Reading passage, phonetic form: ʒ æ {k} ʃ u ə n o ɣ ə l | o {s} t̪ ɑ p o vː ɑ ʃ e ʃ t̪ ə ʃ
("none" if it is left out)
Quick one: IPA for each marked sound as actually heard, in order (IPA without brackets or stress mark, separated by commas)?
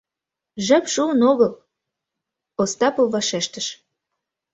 p, s